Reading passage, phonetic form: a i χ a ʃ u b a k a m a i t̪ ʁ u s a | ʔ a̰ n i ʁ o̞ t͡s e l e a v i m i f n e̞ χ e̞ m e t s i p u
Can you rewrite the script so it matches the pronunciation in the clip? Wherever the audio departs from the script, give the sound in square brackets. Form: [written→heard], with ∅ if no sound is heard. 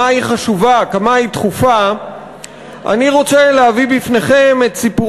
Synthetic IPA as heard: a i χ a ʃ u [b→v] a k a m a i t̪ [ʁ→χ] u [s→f] a | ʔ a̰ n i ʁ o̞ t͡s e l e a v i [m→b] i f n e̞ χ e̞ m e t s i p u